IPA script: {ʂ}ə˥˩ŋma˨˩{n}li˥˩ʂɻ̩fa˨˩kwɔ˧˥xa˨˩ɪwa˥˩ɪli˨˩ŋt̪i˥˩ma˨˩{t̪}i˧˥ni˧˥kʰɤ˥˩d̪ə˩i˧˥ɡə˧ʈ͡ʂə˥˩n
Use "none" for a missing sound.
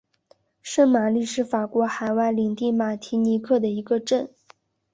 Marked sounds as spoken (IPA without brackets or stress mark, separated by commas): ʂ, none, t̪ʰ